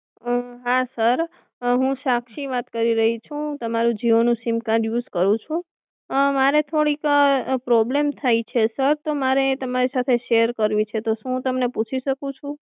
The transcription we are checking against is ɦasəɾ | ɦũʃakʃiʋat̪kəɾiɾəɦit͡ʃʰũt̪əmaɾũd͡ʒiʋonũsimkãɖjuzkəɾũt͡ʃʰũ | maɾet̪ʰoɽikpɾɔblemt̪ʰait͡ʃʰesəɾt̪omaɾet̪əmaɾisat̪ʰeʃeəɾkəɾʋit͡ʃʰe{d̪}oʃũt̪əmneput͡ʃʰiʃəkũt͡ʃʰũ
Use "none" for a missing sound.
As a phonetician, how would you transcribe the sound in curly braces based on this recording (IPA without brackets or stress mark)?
t̪